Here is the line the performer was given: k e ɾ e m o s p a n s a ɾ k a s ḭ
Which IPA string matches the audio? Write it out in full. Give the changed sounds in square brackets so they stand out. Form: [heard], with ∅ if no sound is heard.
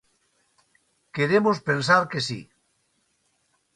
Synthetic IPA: k e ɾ e m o s p [e] n s a ɾ k [e] s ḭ